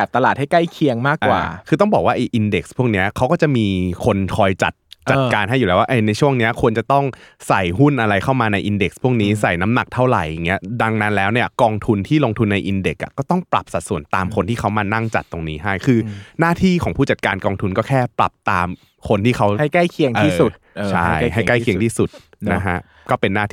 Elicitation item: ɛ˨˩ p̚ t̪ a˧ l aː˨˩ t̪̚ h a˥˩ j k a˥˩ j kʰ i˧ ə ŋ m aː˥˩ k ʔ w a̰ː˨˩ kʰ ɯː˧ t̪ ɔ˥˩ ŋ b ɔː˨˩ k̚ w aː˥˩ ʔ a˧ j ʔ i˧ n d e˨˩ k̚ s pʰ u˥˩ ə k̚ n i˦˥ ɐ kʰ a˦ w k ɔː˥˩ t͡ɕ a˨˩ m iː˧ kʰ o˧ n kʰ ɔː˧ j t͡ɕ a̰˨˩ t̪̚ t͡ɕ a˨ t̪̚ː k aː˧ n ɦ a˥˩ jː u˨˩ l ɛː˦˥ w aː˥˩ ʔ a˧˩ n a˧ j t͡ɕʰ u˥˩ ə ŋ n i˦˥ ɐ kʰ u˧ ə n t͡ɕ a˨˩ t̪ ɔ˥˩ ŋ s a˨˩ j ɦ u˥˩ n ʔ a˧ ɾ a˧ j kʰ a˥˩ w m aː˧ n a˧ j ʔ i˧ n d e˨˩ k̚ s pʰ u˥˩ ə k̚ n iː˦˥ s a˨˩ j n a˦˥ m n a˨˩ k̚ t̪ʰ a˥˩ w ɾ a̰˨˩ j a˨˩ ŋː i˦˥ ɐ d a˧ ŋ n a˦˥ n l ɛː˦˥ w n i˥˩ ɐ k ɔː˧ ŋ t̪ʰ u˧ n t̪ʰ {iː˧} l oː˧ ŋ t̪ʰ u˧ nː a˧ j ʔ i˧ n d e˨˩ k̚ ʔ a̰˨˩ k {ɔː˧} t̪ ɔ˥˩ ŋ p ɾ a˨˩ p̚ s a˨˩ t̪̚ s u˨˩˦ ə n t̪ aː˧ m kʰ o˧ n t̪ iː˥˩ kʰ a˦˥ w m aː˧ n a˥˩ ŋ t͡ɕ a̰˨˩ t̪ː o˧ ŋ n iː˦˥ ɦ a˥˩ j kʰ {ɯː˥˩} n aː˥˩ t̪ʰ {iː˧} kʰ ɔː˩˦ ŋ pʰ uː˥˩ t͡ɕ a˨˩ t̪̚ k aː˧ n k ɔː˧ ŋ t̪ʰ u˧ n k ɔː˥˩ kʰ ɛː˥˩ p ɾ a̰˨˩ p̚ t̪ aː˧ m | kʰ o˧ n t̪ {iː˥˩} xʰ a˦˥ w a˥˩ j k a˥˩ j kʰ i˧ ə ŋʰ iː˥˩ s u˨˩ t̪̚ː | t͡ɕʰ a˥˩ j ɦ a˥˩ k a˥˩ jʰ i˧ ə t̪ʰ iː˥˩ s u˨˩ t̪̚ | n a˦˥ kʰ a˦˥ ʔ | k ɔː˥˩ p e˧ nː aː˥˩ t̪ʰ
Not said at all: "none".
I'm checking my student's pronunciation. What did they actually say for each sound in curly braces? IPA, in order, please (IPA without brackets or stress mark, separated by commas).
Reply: iː˥˩, ɔː˥˩, ɯː˧, iː˥˩, iː˥˩